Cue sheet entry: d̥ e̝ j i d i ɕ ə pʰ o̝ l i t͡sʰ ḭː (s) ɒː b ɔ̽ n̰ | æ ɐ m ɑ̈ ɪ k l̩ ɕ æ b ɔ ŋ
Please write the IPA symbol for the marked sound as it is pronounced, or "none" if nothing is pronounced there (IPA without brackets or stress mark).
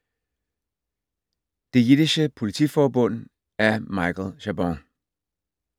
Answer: f